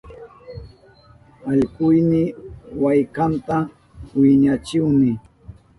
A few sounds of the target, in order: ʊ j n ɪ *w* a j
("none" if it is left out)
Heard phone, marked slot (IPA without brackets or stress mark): w